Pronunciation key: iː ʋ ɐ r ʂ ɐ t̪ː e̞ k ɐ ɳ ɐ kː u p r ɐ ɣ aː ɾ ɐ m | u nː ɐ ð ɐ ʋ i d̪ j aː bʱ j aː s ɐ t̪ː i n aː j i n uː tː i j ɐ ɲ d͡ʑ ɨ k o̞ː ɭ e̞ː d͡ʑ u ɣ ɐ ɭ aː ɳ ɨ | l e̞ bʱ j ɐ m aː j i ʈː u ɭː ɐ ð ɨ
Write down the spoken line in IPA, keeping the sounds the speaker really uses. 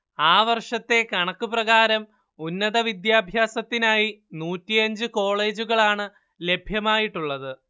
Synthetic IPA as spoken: aː ʋ ɐ r ʂ ɐ t̪ː e̞ k ɐ ɳ ɐ kː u p r ɐ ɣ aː ɾ ɐ m | u nː ɐ ð ɐ ʋ i d̪ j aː bʱ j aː s ɐ t̪ː i n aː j i n uː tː i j ɐ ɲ d͡ʑ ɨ k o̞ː ɭ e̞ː d͡ʑ u ɣ ɐ ɭ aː ɳ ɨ | l e̞ bʱ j ɐ m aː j i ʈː u ɭː ɐ ð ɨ